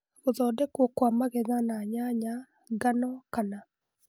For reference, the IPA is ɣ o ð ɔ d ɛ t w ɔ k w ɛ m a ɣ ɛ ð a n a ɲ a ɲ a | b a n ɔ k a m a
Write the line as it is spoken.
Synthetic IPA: ɣ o ð ɔ d ɛ k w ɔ k w a m a ɣ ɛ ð a n a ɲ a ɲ a | ɡ a n ɔ k a n a